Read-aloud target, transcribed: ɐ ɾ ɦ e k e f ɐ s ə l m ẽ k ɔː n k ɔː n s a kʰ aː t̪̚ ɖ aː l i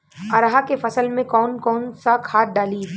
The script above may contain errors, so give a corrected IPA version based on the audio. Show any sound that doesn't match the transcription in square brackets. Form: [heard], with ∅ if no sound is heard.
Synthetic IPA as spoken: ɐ ɾ ɦ [a] k e f ɐ s ə l m ẽ k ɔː n k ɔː n s a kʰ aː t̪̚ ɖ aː l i